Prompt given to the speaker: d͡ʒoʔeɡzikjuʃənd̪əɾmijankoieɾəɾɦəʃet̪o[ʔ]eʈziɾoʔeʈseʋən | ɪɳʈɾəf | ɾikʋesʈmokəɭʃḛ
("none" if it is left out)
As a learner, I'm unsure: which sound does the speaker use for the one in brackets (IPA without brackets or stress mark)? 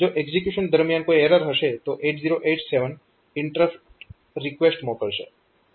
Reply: ʔ